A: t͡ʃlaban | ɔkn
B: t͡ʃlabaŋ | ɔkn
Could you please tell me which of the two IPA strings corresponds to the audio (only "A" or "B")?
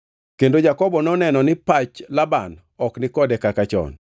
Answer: A